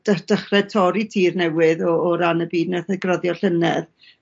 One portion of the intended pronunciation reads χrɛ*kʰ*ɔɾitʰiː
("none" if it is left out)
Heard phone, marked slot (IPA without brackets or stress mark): tʰ